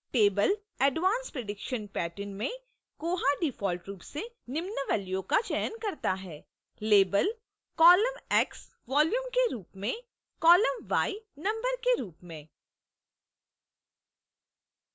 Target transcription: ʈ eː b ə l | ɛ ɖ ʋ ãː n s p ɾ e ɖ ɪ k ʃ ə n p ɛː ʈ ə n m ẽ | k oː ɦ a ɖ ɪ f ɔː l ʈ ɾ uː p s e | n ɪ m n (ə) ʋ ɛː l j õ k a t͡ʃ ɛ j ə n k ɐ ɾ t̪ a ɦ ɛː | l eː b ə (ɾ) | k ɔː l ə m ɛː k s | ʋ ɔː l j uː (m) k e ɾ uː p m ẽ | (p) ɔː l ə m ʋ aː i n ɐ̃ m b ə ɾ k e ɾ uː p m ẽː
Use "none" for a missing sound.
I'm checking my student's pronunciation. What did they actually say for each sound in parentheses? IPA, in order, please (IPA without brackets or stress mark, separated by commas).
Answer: ə, l, m, k